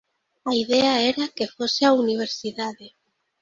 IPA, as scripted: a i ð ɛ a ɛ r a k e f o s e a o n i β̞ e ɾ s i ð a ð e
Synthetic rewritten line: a i ð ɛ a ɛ ɾ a k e f o s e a u n i β̞ e ɾ s i ð a ð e

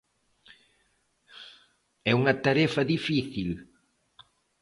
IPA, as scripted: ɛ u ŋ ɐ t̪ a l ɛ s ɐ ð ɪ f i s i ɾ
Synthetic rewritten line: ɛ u ŋ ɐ t̪ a ɾ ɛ f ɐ ð i f i θ i l

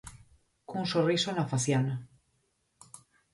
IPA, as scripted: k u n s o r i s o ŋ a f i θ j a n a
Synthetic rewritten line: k u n s o r i s o n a f a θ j a n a

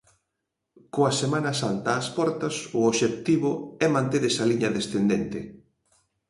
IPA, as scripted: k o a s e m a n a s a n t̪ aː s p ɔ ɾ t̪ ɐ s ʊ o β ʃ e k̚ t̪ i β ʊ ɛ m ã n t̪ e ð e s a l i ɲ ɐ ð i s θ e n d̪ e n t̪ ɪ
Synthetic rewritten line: k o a s e m a n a s a n t̪ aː s p ɔ ɾ t̪ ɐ s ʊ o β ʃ e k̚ t̪ i β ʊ ɛ m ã n t̪ e ð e s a l i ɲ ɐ ð e s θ e n d̪ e n t̪ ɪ

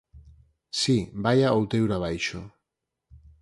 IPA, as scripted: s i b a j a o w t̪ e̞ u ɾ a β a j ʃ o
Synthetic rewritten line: s i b a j a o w t̪ e̞ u ɾ a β a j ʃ o

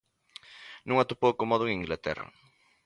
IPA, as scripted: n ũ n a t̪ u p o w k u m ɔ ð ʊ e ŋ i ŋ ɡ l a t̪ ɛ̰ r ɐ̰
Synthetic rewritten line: n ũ ŋ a t̪ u p o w k o m ɔ ð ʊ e ŋ i ŋ ɡ l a t̪ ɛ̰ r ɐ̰

